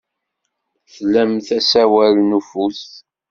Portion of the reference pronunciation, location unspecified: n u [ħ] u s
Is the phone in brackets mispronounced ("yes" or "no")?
yes